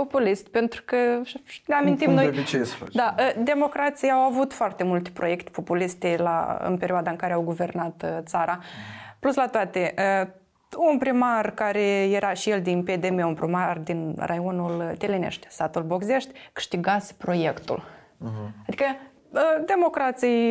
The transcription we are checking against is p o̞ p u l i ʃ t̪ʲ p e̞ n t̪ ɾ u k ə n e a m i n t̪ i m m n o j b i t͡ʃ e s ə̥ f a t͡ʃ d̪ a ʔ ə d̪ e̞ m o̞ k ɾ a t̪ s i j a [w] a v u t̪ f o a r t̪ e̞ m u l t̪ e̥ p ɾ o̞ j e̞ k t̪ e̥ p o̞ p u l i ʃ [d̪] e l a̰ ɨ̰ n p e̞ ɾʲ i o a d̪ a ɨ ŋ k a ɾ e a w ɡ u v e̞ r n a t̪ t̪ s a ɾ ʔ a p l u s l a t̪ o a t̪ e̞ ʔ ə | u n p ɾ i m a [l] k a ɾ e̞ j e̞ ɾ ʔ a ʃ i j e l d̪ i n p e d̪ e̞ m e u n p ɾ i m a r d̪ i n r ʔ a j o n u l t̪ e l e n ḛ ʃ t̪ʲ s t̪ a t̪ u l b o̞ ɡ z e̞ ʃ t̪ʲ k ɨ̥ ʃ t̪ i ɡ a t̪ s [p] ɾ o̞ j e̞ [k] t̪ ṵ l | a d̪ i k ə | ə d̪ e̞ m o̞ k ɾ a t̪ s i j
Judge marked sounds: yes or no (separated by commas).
yes, no, no, yes, yes